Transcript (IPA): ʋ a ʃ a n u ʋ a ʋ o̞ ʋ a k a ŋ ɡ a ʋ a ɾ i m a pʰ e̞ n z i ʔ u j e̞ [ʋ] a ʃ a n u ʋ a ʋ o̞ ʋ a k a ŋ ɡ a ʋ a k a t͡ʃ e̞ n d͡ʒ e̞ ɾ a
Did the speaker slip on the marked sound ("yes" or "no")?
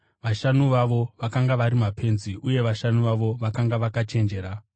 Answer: no